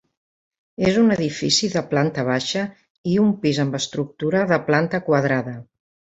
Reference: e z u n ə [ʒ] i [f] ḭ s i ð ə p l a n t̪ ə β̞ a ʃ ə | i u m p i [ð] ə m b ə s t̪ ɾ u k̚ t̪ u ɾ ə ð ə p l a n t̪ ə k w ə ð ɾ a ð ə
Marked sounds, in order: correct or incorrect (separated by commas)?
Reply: incorrect, correct, incorrect